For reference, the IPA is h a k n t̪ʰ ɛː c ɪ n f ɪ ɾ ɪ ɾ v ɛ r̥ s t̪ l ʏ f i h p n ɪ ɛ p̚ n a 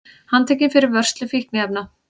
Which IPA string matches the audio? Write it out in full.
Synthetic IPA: h a n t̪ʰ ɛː c ɪ n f ɪ ɾ ɪ ɾ v œ r̥ s t̪ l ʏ f i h k n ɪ ɛ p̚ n a

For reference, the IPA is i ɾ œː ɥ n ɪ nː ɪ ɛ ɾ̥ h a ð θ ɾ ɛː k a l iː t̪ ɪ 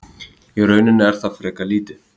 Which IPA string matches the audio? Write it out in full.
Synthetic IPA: i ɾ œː ɥ n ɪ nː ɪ ɛ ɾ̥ θ a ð f ɾ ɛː k a l iː t̪ ɪ

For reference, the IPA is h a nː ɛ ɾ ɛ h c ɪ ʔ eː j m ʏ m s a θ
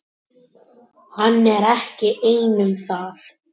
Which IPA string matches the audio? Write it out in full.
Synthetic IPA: h a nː ɛ ɾ ɛ h c ɪ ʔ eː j n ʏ m θ a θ

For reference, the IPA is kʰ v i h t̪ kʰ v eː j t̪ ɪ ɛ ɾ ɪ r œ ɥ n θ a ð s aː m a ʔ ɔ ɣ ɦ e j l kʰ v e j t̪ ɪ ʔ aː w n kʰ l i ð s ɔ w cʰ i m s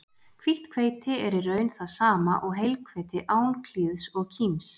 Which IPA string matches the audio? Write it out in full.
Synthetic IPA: kʰ v i h t̪ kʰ v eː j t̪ ɪ ɛ ɾ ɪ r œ ɥ n θ a ð s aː m a ʔ ɔ ɣ ɦ e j l kʰ v e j t̪ ɪ ʔ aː w n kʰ l i ð s ɔ ɣ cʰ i m s

